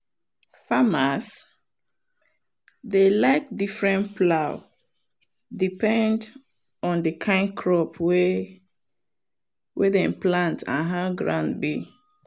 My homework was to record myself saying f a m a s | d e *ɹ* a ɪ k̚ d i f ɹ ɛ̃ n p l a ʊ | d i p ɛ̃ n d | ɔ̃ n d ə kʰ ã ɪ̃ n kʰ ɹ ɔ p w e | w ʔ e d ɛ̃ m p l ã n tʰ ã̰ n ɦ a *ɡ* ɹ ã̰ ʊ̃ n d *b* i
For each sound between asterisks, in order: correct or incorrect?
incorrect, correct, correct

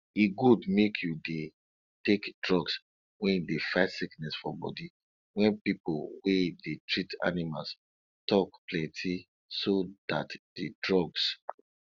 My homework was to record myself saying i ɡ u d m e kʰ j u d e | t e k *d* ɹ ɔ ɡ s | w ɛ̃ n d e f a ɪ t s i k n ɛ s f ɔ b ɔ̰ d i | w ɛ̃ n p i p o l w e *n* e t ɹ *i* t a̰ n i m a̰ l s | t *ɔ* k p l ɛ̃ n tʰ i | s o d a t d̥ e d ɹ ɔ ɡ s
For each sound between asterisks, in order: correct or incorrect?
correct, incorrect, correct, correct

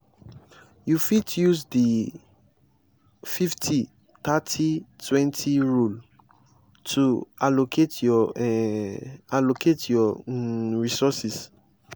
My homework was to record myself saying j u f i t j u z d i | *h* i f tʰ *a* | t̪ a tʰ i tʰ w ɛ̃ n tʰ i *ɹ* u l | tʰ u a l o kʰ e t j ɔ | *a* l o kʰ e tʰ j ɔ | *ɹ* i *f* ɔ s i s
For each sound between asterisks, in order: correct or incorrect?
incorrect, incorrect, correct, correct, correct, incorrect

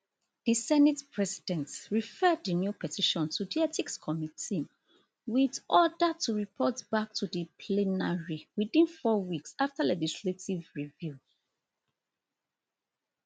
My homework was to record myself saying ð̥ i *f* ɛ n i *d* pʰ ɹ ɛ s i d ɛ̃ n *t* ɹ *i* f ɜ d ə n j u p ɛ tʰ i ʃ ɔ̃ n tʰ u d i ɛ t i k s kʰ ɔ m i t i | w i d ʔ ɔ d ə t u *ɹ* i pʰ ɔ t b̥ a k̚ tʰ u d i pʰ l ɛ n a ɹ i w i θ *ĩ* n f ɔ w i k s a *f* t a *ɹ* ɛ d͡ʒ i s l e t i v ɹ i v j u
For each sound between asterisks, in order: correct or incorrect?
incorrect, incorrect, correct, correct, correct, correct, correct, incorrect

